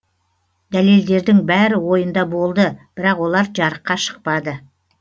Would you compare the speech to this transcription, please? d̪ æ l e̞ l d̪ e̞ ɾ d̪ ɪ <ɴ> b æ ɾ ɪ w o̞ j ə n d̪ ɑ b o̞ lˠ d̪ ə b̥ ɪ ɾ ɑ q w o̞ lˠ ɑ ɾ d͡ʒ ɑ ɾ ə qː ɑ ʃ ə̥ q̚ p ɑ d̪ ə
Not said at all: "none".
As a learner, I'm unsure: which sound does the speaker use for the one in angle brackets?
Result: ŋ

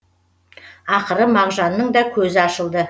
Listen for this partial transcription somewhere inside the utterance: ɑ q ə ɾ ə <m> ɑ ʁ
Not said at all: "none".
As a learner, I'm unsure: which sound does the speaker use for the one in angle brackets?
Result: m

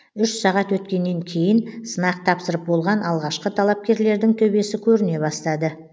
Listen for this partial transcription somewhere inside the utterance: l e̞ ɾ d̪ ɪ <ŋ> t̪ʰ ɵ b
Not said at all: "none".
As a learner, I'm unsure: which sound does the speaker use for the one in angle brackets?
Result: ŋ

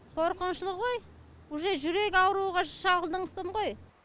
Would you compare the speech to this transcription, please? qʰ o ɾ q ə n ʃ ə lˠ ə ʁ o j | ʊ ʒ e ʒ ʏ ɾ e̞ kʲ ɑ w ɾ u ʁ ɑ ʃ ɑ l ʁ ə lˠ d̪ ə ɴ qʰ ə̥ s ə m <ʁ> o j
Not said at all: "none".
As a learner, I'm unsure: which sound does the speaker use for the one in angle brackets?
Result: ʁ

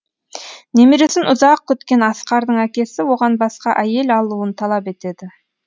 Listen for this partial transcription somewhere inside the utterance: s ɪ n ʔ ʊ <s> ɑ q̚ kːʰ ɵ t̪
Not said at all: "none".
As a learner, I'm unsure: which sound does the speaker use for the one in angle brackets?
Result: z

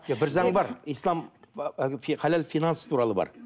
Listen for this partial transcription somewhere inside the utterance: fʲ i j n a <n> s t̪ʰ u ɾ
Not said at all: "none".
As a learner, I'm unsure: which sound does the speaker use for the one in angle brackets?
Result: n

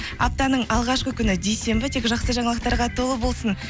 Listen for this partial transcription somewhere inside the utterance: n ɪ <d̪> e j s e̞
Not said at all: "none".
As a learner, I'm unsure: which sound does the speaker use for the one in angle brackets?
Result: d̪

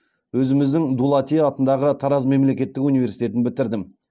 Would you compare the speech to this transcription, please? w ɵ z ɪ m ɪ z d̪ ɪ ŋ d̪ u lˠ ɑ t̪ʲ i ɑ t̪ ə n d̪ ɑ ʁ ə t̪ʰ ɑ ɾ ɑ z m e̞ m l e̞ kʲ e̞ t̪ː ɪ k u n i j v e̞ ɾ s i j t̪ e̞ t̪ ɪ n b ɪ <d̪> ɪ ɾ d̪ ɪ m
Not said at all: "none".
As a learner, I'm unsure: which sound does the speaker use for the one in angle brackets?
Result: t̪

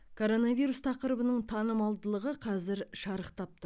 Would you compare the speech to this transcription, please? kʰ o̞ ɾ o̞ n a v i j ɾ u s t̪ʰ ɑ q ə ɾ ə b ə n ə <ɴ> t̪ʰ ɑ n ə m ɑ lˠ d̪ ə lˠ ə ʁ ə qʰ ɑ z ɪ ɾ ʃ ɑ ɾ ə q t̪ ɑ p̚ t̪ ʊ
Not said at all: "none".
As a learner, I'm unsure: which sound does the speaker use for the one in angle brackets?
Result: ɴ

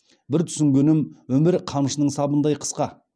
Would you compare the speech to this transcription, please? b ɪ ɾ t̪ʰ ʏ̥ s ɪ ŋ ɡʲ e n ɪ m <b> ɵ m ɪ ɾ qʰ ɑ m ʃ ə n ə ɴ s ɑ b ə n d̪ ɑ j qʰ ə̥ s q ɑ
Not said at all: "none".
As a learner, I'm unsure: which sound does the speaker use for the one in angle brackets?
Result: w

